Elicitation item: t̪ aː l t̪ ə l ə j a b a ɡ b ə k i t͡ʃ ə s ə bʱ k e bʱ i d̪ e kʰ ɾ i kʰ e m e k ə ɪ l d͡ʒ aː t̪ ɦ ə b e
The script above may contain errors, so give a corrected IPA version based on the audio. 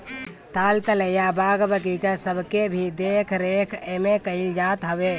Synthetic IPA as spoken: t̪ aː l t̪ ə l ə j a b a ɡ b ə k i t͡ʃ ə s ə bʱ k e bʱ i d̪ e kʰ ɾ e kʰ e m e k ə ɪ l d͡ʒ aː t̪ ɦ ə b e